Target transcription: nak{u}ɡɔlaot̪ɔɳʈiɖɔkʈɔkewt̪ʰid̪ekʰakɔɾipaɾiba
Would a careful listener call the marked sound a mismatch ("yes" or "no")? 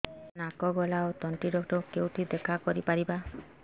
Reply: yes